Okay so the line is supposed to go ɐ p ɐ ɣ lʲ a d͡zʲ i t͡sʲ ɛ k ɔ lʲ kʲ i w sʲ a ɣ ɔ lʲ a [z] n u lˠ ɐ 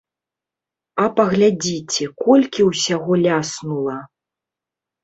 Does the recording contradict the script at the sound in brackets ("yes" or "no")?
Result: yes